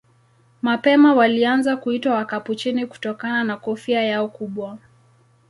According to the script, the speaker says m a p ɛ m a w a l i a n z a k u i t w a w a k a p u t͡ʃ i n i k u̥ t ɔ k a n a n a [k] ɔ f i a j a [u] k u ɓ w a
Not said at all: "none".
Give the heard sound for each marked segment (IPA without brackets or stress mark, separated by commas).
k, ɔ